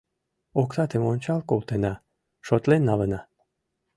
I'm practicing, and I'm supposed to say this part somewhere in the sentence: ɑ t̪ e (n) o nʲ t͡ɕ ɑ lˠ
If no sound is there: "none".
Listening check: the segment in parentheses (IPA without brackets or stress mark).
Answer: m